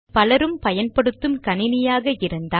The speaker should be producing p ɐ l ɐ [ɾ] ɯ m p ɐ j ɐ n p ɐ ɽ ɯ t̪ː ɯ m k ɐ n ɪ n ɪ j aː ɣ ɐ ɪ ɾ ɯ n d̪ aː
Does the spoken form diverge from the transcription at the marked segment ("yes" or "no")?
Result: no